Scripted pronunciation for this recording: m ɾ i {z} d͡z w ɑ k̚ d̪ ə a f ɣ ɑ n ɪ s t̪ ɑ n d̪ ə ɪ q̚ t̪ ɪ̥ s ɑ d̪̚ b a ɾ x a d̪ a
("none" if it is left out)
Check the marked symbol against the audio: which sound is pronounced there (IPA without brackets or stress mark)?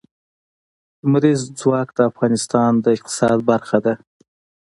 z